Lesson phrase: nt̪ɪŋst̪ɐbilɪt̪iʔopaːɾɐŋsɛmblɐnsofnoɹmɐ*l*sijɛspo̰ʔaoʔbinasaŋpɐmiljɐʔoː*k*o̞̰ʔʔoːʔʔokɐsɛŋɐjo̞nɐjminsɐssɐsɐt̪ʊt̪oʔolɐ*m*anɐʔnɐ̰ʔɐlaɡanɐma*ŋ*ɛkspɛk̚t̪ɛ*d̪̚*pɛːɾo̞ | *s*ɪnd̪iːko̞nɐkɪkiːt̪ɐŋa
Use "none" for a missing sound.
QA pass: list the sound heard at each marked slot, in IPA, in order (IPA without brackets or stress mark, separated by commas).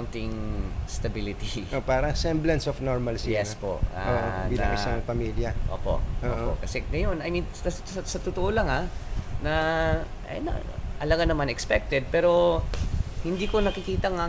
l, p, ŋ, n, d̪̚, h